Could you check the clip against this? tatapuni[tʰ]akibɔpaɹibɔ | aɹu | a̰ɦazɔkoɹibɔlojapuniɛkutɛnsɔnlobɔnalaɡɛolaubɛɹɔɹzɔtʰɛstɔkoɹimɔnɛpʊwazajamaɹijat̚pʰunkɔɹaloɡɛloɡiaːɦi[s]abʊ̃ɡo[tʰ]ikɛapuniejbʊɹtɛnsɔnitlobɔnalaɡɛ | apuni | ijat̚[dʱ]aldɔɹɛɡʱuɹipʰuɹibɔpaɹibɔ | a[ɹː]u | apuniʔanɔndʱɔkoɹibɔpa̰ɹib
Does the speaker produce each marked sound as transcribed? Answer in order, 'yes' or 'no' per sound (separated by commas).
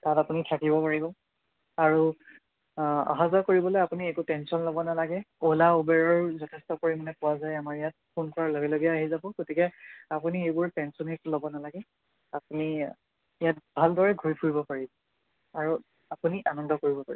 yes, no, no, no, no